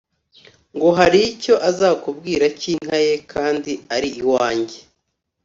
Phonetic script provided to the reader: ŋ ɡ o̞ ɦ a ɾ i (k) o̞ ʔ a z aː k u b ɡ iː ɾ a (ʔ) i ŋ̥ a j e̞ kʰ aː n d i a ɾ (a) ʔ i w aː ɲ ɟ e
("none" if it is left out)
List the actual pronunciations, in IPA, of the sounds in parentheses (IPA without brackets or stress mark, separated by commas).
c, c, i